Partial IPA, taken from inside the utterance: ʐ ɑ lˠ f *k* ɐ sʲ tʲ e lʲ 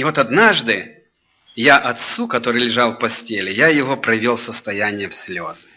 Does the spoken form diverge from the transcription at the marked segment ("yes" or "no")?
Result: yes